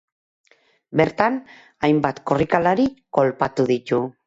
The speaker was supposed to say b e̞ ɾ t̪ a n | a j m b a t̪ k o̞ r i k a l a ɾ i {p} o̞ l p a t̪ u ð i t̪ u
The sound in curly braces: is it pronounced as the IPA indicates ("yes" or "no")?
no